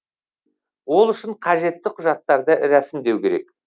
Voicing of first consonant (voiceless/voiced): voiced